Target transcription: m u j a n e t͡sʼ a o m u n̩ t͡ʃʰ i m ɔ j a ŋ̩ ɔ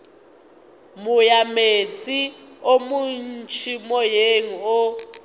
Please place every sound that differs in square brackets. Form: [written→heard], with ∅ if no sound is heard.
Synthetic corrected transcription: m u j a [n→m] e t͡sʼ [a→i] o m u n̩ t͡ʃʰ i m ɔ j [a→e] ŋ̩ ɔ

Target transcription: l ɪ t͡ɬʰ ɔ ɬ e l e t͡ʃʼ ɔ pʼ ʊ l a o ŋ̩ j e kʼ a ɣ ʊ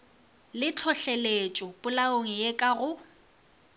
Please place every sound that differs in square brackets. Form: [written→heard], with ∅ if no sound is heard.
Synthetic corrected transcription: l ɪ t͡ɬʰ ɔ ɬ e l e t͡ʃʼ ɔ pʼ ʊ l a o ŋ̩ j e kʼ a ɣ ʊ

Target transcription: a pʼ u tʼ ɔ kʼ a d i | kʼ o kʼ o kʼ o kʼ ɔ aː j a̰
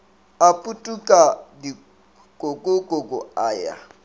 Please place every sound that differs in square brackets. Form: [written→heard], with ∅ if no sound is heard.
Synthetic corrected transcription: a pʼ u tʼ [ɔ→u] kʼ a d i | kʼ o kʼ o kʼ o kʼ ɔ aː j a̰

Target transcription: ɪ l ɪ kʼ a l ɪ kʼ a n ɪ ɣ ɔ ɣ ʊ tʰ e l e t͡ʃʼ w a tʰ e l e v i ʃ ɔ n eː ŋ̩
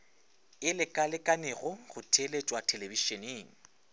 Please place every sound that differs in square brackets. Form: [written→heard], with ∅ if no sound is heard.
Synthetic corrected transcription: ɪ l ɪ kʼ a l ɪ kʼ a n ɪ ɣ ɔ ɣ ʊ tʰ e l e t͡ʃʼ w a tʰ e l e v i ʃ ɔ n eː ŋ̩

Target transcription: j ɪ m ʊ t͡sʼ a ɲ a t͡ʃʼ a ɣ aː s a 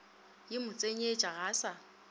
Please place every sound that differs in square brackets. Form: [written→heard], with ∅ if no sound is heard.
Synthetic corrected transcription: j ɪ m ʊ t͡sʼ [a→e] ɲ [a→e] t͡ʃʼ a ɣ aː s a

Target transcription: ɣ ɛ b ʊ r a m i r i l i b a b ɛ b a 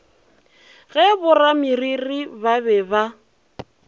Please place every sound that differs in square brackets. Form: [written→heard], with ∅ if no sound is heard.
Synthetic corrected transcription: ɣ ɛ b ʊ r a m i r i [l→r] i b a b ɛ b a

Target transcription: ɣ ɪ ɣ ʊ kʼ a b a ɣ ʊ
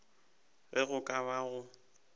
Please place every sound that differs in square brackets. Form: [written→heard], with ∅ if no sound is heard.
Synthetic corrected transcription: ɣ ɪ ɣ ʊ kʼ a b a ɣ ʊ

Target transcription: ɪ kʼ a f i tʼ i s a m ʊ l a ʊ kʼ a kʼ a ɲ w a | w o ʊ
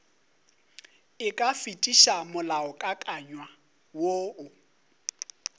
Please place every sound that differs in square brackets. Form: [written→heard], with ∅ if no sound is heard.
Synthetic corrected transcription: ɪ kʼ a f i tʼ i [s→ʃ] a m ʊ l a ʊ kʼ a kʼ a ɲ w a | w o ʊ

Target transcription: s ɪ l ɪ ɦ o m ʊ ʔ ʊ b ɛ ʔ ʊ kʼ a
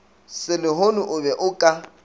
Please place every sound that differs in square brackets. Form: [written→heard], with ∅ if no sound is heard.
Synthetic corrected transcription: s ɪ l ɪ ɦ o [m→n] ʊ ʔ ʊ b ɛ ʔ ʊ kʼ a

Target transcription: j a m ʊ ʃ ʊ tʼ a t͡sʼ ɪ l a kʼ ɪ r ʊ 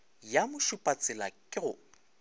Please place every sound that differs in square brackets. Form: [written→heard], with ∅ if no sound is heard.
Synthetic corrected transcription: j a m ʊ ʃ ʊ [tʼ→pʼ] a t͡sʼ ɪ l a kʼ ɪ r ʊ

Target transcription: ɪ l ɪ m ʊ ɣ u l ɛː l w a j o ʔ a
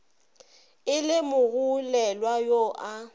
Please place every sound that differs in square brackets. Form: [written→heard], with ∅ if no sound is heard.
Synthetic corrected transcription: ɪ l ɪ m ʊ ɣ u l [ɛː→ɛ] l w a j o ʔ a

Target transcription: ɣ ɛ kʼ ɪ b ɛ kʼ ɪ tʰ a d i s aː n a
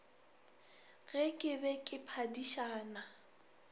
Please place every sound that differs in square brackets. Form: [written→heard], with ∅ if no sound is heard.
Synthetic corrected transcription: ɣ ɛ kʼ ɪ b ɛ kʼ ɪ [tʰ→pʰ] a d i [s→ʃ] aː n a

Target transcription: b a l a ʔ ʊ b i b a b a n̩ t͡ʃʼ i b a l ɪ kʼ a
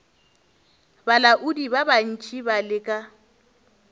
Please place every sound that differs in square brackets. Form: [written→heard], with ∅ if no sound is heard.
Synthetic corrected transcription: b a l a ʔ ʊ [b→d] i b a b a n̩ t͡ʃʼ i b a l ɪ kʼ a

